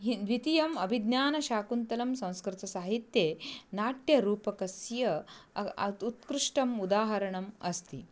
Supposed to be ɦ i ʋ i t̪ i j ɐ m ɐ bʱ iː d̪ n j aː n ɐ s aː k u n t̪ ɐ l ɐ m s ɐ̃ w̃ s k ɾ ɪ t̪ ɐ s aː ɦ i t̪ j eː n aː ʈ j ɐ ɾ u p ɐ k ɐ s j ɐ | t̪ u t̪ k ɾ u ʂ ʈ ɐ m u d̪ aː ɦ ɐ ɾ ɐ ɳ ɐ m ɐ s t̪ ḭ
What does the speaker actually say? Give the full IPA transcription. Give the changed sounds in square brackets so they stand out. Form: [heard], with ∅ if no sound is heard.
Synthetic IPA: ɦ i ʋ i t̪ i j ɐ m ɐ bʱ [i] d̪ n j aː n ɐ [ʃ] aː k u n t̪ ɐ l ɐ m s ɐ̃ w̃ s k ɾ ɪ t̪ ɐ s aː ɦ i t̪ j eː n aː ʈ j ɐ ɾ [uː] p ɐ k ɐ s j ɐ | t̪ u t̪ k ɾ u ʂ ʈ ɐ m u d̪ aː ɦ ɐ ɾ ɐ ɳ ɐ m ɐ s t̪ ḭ